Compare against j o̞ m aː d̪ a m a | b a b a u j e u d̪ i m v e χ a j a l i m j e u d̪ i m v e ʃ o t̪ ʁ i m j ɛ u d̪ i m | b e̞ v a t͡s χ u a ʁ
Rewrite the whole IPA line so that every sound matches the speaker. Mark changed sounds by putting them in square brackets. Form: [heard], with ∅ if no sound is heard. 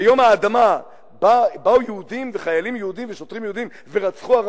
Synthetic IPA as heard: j o̞ m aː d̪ a m a | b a b a u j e u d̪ i m v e χ a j a l i m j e u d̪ i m v e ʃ o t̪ ʁ i m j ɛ u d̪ i m | [v] e̞ [ʁ] a t͡s χ u a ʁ